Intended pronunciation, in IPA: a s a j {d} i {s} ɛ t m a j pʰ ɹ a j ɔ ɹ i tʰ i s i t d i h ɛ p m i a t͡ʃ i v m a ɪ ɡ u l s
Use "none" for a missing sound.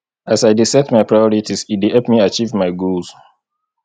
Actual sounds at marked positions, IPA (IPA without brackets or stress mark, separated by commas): d, s